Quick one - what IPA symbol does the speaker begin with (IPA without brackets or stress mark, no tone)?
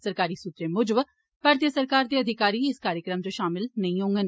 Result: s